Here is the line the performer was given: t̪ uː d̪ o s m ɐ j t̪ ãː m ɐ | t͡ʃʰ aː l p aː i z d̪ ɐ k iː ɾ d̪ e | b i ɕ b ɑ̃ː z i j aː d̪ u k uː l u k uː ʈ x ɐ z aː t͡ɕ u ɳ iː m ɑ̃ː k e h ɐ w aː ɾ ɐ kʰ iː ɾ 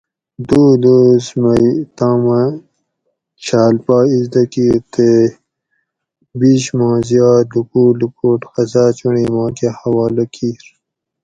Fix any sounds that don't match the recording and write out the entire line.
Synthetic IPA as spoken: d̪ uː d̪ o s m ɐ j t̪ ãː m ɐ | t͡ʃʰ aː l p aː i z d̪ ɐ k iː ɾ t̪ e | b i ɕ m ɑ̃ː z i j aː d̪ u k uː l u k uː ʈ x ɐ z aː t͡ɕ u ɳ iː m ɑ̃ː k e h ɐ w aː l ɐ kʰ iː ɾ